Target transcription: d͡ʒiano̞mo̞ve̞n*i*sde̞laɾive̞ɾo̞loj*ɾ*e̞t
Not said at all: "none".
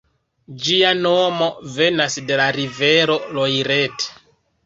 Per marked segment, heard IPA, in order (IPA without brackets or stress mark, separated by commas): a, ɾ